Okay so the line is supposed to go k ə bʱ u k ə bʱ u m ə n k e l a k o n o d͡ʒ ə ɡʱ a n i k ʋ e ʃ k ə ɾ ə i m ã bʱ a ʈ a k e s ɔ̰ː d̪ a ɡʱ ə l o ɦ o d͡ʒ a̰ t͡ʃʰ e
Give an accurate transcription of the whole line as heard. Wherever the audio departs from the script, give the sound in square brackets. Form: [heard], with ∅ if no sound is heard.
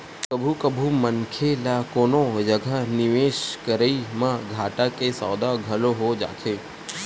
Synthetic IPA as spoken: k ə bʱ u k ə bʱ u m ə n [kʰ] e l a k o n o d͡ʒ ə ɡʱ a n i [∅] ʋ e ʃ k ə ɾ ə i m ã [ɡʱ] a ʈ a k e s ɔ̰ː d̪ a ɡʱ ə l o ɦ o d͡ʒ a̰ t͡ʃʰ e

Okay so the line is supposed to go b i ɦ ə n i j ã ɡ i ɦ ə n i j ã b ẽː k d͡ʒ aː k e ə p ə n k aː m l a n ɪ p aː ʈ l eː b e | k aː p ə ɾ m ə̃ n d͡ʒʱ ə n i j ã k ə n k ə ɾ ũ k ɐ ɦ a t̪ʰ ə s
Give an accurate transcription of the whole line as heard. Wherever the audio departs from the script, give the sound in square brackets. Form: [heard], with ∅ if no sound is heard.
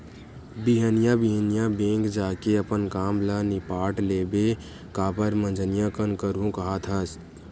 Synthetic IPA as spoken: b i ɦ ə n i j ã [b] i ɦ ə n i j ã b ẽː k d͡ʒ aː k e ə p ə n k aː m l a n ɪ p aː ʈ l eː b e | k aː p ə ɾ m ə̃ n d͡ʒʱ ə n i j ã k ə n k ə ɾ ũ k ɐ ɦ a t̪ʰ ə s

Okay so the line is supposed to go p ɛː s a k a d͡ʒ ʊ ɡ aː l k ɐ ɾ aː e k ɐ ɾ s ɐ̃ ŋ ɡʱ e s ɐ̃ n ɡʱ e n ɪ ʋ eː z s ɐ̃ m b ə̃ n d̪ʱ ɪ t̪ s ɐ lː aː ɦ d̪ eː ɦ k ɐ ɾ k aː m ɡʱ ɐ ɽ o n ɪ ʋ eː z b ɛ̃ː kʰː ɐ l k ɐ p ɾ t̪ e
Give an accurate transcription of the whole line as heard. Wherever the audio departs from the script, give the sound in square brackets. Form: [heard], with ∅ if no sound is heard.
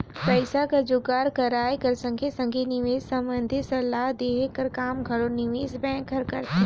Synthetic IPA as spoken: p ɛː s a k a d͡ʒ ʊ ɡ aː [ɾ] k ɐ ɾ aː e k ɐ ɾ s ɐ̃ ŋ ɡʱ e s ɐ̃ [ŋ] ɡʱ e n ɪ ʋ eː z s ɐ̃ m b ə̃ n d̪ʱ ɪ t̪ s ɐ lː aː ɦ d̪ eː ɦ k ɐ ɾ k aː m ɡʱ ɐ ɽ o n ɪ ʋ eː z b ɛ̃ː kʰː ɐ [ɾ] k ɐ [∅] ɾ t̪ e

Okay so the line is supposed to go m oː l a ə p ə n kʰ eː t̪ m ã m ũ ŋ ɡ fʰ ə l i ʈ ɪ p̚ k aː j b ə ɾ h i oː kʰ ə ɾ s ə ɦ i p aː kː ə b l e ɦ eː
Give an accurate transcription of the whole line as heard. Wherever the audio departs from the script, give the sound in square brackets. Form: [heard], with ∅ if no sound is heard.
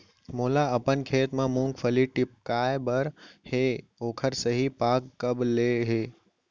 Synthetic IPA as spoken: m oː l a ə p ə n kʰ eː t̪ m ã m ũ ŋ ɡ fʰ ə l i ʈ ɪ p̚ k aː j b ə ɾ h [e] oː kʰ ə ɾ s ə ɦ i p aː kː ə b l e ɦ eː

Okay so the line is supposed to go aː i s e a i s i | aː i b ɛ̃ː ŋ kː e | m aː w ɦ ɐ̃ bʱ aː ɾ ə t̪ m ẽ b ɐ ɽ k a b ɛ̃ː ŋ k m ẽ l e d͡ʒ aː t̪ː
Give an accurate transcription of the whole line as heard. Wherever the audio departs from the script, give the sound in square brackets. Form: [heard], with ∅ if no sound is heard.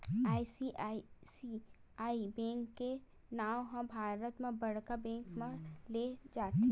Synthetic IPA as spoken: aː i s [i] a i s i | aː i b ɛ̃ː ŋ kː e | [n] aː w ɦ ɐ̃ bʱ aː ɾ ə t̪ m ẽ b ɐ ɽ k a b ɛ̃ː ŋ k m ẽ l e d͡ʒ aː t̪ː

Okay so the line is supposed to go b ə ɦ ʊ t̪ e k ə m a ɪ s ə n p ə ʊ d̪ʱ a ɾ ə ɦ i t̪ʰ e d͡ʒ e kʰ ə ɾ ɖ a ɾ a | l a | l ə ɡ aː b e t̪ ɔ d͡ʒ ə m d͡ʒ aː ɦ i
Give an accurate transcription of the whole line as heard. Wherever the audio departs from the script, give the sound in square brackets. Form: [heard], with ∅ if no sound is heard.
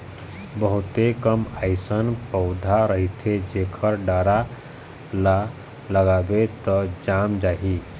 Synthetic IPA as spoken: b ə ɦ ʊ t̪ e k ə m a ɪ s ə n p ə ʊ d̪ʱ a ɾ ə ɦ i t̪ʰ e d͡ʒ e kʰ ə ɾ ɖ a ɾ a | l a | l ə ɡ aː b e t̪ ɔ d͡ʒ [a] m d͡ʒ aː ɦ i

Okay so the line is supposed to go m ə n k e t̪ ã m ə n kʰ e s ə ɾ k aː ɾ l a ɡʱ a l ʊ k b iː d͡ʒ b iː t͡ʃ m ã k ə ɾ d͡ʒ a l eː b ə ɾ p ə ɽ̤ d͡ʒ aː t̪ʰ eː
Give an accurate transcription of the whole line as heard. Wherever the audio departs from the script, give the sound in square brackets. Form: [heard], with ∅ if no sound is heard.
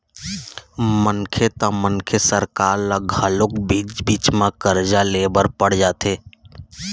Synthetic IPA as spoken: m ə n [kʰ] e t̪ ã m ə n kʰ e s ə ɾ k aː ɾ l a ɡʱ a l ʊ k b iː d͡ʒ b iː t͡ʃ m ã k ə ɾ d͡ʒ a l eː b ə ɾ p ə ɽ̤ d͡ʒ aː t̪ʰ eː

